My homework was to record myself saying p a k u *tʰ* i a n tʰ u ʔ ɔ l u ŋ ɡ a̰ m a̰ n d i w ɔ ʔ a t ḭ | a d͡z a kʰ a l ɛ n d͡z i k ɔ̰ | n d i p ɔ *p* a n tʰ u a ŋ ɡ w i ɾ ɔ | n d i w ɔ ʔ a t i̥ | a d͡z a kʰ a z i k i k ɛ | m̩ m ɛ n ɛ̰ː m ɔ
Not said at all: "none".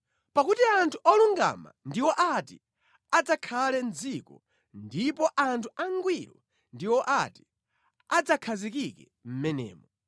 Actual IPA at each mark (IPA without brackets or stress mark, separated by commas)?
t, ʔ